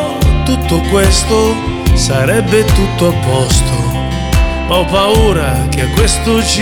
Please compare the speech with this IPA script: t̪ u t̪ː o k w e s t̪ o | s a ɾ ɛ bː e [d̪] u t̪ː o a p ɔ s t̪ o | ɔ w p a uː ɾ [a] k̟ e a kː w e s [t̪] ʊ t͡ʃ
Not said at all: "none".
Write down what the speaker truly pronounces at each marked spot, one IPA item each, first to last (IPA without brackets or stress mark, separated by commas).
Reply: t̪, a, t̪